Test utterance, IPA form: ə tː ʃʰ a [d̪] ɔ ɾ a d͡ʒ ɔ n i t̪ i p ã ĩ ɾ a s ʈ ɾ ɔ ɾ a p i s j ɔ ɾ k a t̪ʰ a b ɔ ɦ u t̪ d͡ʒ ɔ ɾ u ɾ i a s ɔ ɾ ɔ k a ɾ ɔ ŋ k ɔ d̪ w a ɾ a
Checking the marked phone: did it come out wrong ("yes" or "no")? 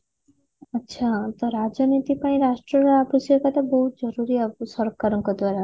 yes